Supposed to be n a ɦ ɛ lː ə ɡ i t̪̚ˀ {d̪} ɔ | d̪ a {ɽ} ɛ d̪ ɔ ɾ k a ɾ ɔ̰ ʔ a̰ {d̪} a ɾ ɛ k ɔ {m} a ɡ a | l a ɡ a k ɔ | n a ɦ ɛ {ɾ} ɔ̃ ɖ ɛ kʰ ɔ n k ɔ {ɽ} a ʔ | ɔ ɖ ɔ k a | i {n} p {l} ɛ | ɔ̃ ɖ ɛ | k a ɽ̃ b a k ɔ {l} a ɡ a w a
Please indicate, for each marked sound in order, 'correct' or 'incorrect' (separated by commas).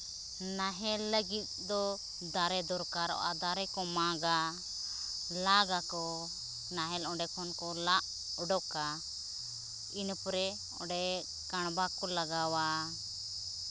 correct, incorrect, correct, correct, incorrect, incorrect, correct, incorrect, correct